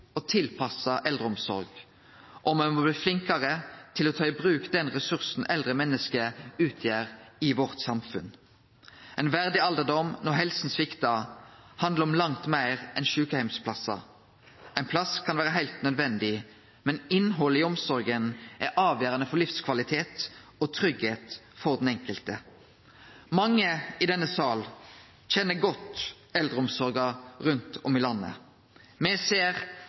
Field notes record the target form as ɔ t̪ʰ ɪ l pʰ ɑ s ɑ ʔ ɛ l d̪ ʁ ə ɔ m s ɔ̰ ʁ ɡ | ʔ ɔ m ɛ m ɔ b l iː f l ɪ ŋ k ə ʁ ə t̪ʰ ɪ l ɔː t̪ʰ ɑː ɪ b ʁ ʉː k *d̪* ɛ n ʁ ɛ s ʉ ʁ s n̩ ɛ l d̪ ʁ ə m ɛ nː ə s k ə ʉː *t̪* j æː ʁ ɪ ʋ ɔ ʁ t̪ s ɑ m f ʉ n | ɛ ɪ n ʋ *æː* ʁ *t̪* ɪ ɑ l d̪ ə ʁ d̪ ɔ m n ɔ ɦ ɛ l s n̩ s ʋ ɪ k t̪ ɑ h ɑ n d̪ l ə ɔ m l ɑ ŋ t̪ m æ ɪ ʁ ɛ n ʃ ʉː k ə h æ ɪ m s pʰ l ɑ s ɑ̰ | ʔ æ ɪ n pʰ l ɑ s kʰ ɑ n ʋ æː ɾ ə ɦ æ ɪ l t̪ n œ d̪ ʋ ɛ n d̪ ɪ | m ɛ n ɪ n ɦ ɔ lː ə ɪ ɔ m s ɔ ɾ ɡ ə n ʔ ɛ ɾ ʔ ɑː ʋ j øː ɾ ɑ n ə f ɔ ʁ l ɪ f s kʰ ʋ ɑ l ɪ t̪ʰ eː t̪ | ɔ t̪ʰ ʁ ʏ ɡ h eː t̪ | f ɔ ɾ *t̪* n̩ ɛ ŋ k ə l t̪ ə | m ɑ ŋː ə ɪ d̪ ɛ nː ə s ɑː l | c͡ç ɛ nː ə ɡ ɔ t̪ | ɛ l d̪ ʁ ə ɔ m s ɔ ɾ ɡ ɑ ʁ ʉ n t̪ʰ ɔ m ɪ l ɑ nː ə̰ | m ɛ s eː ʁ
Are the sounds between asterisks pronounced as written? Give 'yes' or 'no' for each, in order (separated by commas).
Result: yes, no, no, no, no